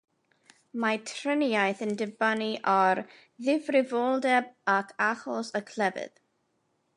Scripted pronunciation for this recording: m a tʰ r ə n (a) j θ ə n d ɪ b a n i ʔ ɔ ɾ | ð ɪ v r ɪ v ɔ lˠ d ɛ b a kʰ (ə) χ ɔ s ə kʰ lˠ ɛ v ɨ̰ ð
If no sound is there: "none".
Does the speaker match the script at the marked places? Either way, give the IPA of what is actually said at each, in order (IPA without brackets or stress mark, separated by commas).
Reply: a, a